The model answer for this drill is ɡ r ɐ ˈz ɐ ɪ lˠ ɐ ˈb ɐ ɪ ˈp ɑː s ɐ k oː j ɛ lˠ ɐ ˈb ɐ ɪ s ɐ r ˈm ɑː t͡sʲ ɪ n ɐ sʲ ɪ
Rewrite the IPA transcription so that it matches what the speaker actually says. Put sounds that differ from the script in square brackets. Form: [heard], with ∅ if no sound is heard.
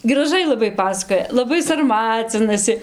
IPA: ɡ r ɐ [ˈʒ] ɐ ɪ lˠ ɐ ˈb ɐ ɪ ˈp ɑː s ɐ k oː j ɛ lˠ ɐ ˈb ɐ ɪ s ɐ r ˈm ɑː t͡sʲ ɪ n ɐ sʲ ɪ